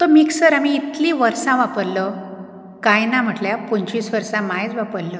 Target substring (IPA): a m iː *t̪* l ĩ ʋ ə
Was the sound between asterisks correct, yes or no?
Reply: yes